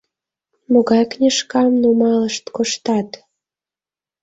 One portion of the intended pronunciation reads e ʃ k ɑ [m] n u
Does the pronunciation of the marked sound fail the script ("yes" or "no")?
no